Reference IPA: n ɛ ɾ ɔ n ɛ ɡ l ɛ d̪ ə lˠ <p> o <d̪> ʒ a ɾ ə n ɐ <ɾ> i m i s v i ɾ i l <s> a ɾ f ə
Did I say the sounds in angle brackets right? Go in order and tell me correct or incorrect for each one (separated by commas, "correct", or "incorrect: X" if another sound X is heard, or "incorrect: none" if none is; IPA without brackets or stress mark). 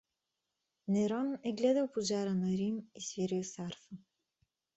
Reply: correct, incorrect: none, correct, correct